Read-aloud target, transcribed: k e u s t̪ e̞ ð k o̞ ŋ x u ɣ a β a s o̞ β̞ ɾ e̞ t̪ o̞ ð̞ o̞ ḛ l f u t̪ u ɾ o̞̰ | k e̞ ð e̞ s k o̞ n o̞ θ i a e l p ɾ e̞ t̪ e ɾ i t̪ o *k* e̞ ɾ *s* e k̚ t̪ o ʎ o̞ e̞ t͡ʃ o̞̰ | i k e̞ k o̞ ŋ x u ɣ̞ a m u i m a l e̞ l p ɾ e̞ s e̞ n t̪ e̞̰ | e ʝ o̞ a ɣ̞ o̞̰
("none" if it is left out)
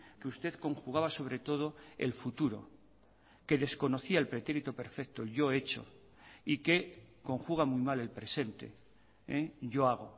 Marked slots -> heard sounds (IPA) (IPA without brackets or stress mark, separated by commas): p, f